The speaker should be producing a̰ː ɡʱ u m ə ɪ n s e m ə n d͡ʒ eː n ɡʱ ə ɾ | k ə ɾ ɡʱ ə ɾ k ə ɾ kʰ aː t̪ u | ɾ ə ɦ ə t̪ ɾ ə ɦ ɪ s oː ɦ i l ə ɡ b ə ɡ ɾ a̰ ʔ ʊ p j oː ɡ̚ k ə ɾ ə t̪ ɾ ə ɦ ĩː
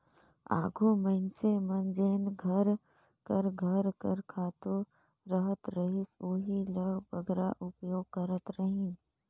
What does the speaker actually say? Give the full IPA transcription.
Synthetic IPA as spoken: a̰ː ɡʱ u m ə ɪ n s e m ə n d͡ʒ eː n ɡʱ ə ɾ | k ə ɾ ɡʱ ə ɾ k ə ɾ kʰ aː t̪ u | ɾ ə ɦ ə t̪ ɾ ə ɦ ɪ s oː ɦ i l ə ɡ b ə ɡ ɾ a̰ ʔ ʊ p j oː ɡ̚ k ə ɾ ə t̪ ɾ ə ɦ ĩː